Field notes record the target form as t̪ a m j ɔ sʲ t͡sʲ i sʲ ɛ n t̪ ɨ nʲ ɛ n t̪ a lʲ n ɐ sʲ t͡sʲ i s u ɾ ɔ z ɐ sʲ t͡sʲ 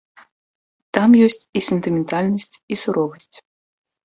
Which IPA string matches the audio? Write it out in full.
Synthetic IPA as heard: t̪ a m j ɔ sʲ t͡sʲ i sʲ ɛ n t̪ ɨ mʲ ɛ n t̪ a lʲ n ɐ sʲ t͡sʲ i s u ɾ ɔ v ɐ sʲ t͡sʲ